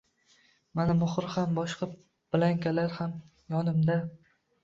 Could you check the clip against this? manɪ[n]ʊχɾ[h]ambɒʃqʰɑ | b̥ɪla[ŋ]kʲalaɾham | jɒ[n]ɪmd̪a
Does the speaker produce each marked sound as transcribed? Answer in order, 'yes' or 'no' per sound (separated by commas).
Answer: no, yes, yes, yes